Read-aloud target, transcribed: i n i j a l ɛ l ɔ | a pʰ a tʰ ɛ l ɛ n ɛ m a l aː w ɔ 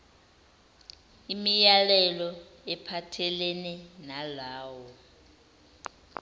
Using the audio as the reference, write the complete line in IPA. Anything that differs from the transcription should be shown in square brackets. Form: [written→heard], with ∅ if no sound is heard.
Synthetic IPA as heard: i [n→m] i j a l ɛ l ɔ | [a→ɛ] pʰ a tʰ ɛ l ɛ n ɛ [m→n] a l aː w ɔ